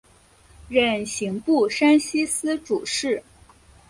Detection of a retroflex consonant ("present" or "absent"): present